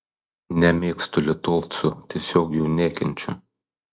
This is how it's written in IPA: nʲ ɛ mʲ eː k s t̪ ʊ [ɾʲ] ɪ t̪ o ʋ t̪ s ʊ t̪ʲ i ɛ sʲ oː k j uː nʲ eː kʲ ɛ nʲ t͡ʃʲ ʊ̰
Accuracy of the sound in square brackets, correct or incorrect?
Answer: incorrect